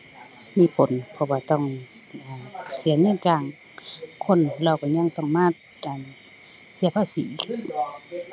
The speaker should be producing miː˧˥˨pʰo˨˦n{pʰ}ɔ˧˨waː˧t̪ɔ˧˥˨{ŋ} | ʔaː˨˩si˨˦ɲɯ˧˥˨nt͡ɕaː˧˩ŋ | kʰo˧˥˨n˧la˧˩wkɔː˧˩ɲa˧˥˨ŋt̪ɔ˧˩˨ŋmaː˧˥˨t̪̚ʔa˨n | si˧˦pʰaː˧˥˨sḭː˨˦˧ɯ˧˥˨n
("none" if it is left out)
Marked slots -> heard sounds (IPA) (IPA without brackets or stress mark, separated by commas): pʰ, ŋ